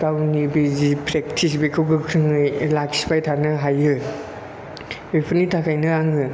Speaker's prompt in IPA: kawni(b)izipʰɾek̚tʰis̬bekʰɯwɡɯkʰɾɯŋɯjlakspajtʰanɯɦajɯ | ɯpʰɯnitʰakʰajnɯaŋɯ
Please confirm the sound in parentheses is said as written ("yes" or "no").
yes